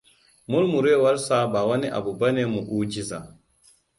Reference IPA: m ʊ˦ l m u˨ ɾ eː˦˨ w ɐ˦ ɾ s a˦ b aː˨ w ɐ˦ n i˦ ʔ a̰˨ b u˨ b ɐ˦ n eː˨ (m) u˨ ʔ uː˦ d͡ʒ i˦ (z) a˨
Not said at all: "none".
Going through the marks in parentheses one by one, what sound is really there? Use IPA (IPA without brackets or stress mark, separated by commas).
m, z